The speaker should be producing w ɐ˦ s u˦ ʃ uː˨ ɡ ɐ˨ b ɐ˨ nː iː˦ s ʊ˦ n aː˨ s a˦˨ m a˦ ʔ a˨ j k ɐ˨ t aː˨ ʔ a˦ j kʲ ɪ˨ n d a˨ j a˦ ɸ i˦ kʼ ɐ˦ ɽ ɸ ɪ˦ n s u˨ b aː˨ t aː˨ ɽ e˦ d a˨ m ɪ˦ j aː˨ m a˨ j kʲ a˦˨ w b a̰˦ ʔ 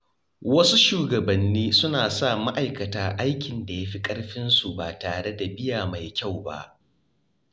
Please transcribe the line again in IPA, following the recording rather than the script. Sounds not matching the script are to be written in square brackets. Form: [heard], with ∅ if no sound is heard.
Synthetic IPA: w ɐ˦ s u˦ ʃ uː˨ ɡ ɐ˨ b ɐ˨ nː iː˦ s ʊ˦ n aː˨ s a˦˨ m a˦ ʔ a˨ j k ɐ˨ t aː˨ ʔ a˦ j kʲ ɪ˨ n d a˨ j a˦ ɸ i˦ kʼ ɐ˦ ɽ ɸ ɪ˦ n s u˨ b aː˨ t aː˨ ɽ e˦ d a˨ [b] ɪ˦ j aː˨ m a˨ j kʲ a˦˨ w b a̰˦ ʔ